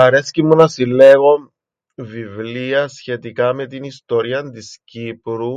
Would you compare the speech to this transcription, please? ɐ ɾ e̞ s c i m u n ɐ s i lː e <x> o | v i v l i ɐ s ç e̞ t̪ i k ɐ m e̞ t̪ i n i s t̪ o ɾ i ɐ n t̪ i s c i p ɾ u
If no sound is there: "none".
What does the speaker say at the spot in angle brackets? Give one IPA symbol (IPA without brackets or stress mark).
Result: ɣ